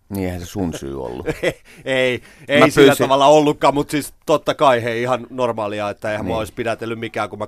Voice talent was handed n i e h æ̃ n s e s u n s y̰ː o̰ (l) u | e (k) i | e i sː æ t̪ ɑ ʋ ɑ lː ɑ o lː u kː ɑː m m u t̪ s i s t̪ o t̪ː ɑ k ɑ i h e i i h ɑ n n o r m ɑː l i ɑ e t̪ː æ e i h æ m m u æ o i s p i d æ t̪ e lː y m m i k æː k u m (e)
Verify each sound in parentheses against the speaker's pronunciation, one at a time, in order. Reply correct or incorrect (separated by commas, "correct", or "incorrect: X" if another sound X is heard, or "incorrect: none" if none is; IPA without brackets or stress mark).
incorrect: lː, incorrect: none, incorrect: æ